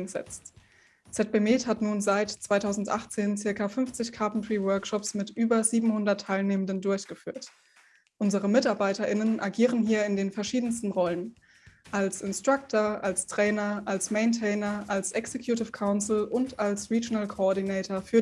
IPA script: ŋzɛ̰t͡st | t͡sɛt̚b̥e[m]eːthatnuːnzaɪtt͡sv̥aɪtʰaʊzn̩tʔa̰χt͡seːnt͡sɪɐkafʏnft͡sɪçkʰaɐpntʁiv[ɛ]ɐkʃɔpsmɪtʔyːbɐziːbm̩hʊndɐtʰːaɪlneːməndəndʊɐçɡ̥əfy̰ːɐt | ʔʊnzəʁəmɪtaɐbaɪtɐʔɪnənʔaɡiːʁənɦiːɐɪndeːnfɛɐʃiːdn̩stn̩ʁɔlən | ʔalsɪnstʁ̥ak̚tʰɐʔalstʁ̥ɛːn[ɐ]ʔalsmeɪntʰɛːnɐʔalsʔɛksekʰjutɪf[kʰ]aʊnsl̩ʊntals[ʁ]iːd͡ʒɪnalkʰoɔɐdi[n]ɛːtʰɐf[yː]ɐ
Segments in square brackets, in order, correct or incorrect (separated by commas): correct, incorrect, correct, correct, correct, correct, correct